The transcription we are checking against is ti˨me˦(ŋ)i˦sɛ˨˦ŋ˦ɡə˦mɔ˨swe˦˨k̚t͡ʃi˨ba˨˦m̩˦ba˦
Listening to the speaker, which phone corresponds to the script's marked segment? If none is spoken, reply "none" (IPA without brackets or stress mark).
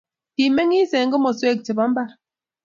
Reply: ŋ